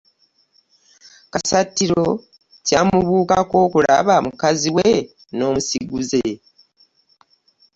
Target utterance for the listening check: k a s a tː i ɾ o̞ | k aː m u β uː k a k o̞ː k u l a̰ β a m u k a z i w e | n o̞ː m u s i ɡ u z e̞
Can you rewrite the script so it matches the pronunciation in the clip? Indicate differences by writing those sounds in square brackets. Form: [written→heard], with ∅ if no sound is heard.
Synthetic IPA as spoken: k a s a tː i ɾ o̞ | [k→c] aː m u β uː k a k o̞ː k u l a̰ β a m u k a z i w e | n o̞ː m u s i ɡ u z e̞